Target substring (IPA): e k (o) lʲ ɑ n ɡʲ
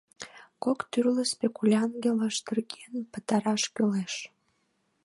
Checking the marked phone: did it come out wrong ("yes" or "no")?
yes